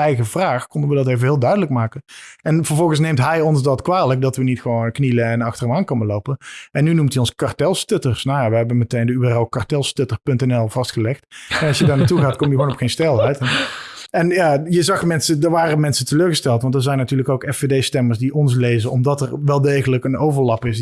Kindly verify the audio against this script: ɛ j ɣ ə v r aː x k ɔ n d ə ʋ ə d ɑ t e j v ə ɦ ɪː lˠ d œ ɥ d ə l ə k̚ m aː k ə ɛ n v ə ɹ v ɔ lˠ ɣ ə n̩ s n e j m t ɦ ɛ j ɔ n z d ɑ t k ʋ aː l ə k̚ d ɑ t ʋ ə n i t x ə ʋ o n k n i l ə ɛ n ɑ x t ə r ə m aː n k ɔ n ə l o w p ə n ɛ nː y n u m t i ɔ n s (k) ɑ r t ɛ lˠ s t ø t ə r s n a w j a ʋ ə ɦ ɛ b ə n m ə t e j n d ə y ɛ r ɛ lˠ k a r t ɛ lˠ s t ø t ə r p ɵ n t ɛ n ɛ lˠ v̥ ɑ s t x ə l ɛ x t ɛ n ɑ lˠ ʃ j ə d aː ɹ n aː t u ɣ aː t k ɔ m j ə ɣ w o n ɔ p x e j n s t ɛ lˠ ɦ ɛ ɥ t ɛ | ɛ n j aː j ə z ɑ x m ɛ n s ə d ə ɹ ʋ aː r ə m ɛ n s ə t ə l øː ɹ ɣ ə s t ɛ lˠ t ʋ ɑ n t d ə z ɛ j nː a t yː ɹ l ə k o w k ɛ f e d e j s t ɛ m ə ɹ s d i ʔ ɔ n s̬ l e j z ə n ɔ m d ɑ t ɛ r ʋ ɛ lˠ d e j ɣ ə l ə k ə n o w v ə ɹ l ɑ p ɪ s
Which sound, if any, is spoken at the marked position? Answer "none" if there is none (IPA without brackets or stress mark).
k